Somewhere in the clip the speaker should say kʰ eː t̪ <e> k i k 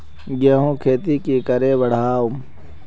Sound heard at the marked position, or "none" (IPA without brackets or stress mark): i